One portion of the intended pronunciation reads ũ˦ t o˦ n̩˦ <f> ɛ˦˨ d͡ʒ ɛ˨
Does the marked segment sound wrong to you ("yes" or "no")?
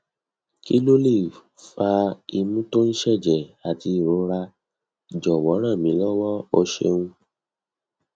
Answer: yes